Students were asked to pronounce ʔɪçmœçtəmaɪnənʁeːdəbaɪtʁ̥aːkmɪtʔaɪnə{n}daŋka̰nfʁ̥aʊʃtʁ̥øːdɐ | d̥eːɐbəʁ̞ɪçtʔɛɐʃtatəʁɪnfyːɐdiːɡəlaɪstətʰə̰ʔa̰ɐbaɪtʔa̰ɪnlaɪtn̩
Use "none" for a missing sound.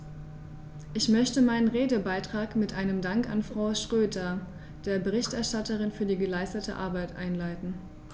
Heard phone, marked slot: m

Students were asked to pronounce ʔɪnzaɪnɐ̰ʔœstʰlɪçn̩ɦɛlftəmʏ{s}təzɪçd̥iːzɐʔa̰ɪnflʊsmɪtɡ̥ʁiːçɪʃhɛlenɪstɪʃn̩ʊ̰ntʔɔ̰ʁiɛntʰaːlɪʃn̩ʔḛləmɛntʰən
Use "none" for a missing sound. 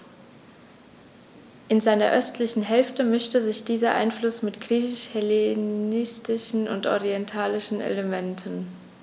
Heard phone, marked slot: ʃ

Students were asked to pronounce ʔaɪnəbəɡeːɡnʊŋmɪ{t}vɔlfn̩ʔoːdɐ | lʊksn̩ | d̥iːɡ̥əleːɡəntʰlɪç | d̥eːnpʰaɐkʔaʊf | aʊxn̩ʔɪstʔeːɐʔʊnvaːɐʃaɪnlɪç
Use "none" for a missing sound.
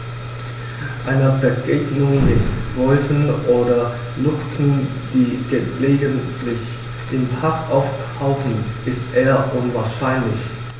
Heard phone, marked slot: t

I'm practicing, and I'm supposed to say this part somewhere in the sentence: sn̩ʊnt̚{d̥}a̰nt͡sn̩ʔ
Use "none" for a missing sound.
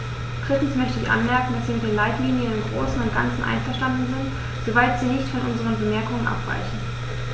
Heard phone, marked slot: ɡ̥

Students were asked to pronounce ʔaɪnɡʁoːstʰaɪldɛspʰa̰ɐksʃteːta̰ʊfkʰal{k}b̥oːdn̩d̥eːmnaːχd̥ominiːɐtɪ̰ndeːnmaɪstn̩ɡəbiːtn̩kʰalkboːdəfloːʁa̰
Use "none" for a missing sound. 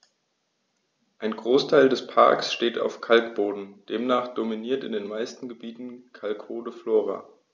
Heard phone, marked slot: k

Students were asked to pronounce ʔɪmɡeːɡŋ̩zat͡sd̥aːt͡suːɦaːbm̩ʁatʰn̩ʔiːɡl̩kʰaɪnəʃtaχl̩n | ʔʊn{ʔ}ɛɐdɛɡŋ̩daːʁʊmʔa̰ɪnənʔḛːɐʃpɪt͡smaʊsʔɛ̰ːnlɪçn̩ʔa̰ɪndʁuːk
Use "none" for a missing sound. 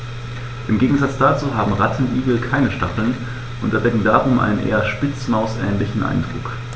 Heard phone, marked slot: t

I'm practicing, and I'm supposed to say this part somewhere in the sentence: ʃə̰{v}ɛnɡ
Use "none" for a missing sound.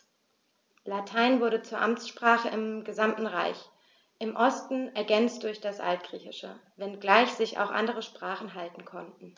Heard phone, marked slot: v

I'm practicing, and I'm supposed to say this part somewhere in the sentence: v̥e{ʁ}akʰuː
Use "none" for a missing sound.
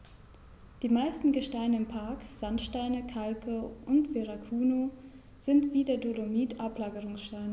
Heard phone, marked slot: ʁ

